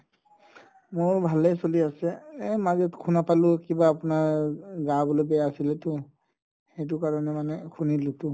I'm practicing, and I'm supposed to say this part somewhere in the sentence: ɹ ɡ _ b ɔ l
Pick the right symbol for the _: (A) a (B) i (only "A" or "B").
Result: A